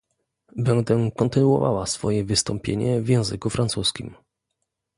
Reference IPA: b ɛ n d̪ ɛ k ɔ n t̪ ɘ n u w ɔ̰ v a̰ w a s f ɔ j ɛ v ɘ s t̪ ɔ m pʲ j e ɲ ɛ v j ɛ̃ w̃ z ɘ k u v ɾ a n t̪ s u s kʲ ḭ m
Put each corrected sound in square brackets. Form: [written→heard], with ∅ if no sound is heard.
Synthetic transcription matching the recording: b ɛ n d̪ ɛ k ɔ n t̪ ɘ n u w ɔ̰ v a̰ w a s f ɔ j ɛ v ɘ s t̪ ɔ m pʲ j e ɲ ɛ v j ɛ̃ w̃ z ɘ k u [v→f] ɾ a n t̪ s u s kʲ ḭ m